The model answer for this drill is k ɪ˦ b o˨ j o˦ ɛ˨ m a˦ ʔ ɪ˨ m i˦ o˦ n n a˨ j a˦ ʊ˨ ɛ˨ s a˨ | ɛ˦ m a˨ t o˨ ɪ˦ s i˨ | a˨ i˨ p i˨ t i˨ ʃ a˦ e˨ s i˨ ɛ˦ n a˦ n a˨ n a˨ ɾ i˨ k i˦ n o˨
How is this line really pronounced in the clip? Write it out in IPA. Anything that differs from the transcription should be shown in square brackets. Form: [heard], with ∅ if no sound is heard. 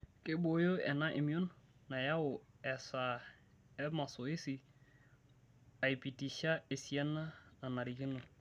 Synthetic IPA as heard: k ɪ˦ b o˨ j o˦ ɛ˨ [n] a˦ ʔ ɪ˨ m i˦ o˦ n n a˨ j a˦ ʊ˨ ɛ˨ s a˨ | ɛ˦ m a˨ [s] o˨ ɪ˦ s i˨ | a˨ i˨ p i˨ t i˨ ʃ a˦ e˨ s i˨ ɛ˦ n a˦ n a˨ n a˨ ɾ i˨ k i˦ n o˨

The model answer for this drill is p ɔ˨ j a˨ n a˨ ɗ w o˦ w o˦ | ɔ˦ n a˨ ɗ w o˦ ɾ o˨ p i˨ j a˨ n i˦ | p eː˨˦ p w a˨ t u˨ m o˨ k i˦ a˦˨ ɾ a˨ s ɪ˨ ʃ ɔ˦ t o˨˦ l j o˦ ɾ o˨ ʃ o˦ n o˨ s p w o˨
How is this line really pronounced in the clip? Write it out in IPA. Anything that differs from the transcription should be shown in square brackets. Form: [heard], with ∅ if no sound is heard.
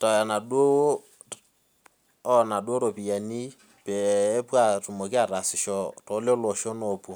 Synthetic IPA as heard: [t] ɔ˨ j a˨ n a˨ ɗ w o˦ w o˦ | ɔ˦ n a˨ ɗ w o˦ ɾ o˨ p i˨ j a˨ n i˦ | p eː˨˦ p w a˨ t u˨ m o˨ k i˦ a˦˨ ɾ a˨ s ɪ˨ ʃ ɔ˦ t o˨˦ l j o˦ [l] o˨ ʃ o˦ n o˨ [∅] p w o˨

